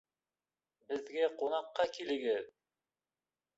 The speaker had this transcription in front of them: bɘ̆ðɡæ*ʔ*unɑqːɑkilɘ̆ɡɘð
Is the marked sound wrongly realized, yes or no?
yes